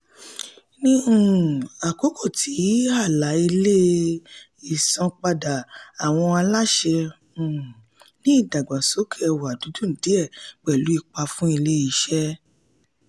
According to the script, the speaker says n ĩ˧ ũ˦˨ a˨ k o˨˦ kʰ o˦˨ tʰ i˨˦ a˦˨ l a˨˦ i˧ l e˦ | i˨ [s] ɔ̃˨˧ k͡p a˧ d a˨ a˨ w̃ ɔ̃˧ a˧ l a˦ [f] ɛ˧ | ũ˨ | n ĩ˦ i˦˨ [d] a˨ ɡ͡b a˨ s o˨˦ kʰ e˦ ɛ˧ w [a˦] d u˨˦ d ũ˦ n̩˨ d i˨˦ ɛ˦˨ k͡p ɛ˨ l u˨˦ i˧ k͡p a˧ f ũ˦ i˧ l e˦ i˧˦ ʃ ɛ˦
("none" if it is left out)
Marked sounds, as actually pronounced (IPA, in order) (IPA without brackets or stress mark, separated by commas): s, ʃ, d, a˨